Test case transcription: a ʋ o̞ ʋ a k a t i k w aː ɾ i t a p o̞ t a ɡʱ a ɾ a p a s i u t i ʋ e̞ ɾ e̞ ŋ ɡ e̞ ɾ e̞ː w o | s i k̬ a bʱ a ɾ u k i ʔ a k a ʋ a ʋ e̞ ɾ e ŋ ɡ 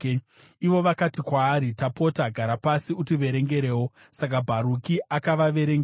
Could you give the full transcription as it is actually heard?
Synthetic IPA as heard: i ʋ o̞ ʋ a k a t i k w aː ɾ i t a p o̞ t a ɡʱ a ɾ a p a s i u t i ʋ e̞ ɾ e̞ ŋ ɡ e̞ ɾ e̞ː w o | s a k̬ a bʱ a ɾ u k i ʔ a k a ʋ a ʋ e̞ ɾ e ŋ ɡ